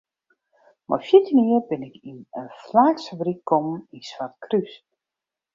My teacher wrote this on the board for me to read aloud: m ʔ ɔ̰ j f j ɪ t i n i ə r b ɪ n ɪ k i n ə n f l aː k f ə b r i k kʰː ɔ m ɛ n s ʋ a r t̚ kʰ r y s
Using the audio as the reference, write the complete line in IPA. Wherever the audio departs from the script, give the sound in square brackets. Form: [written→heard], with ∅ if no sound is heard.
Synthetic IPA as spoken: m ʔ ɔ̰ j f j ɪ t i n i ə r b ɪ n ɪ k i n ə n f l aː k [f→s] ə b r i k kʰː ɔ m [ɛ→i] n s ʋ a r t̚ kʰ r y s

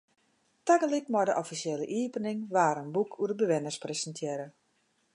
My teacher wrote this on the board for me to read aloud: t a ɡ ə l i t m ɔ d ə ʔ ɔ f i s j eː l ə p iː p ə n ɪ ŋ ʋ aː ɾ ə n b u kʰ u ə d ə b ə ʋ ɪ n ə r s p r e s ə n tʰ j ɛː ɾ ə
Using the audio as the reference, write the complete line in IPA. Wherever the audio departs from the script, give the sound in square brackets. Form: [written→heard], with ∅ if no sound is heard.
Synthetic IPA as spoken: t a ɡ ə l i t m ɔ d ə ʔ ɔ f i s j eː l ə [p→ʔ] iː p ə n ɪ ŋ ʋ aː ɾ ə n b u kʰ u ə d ə b ə ʋ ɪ n ə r s p r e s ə n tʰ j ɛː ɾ ə

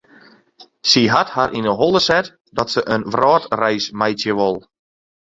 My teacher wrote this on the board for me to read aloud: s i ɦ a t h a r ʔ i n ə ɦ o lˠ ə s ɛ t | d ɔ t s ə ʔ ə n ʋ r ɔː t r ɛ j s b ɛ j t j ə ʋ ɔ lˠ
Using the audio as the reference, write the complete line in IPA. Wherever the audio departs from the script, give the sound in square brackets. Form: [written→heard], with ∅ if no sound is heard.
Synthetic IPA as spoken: s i ɦ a t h a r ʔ i n ə ɦ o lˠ ə s ɛ t | d ɔ t s ə ʔ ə n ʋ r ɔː t r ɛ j s [b→m] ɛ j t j ə ʋ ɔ lˠ

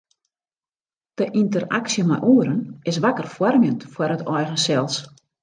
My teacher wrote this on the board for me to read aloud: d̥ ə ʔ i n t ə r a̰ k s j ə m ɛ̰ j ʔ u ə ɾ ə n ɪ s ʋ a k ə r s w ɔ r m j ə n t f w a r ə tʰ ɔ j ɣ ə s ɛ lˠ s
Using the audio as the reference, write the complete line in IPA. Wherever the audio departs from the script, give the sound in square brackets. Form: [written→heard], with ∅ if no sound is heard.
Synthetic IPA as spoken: d̥ ə ʔ i n t ə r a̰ k s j ə m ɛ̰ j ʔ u ə ɾ ə n ɪ s ʋ a k ə r [s→f] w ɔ r m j ə n t f w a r ə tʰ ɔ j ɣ ə s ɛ lˠ s

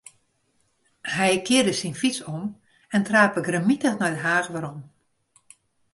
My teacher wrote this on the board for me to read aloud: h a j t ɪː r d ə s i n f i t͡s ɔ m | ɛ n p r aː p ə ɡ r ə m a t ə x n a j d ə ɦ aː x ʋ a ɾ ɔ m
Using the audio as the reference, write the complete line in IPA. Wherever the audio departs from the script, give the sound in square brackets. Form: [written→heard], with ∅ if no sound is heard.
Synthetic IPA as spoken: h [a→ɛ] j [t→k] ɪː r d ə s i n f i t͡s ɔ m | ɛ n [p→t] r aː p ə ɡ r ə m [a→i] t ə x n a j d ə ɦ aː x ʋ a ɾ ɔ m

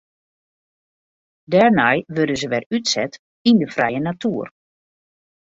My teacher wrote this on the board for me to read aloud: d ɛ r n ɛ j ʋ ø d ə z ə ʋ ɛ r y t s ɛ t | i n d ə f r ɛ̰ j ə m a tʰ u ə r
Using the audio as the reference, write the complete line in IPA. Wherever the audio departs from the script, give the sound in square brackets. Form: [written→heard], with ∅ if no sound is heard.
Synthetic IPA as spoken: d ɛ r n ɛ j ʋ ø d ə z ə ʋ ɛ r y t s ɛ t | i n d ə f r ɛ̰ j ə [m→n] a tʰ u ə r

